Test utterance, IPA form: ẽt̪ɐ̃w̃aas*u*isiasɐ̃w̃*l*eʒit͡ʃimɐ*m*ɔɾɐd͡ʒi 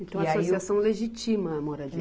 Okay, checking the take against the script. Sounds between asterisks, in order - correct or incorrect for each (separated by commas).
incorrect, correct, correct